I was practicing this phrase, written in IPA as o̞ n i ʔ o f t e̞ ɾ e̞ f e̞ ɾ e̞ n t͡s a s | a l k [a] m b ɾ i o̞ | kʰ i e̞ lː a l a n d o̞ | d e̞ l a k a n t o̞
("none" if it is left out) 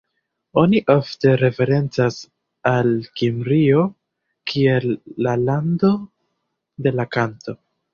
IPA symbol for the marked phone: i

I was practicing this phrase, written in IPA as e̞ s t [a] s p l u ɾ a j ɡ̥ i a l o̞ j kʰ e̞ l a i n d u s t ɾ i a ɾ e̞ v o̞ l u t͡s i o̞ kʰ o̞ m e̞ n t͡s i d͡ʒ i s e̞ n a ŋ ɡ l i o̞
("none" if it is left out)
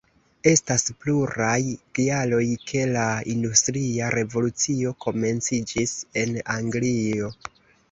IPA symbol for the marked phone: a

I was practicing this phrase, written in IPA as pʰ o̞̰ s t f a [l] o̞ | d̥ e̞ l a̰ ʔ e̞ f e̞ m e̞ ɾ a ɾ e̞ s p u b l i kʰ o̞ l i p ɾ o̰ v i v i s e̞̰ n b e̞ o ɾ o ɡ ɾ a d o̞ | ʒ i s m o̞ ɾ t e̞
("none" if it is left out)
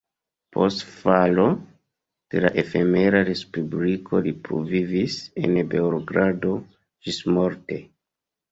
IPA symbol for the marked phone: l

